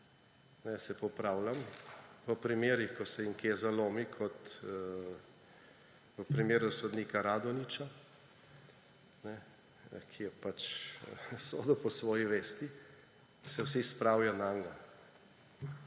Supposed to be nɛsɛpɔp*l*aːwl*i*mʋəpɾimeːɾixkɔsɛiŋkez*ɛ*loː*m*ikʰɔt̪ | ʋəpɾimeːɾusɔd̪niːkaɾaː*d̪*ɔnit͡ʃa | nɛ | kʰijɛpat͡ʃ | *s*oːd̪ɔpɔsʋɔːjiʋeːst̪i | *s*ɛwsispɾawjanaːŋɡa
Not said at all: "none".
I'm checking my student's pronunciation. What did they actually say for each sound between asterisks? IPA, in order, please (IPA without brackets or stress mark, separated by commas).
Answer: ɾ, a, a, m, d̪, s, s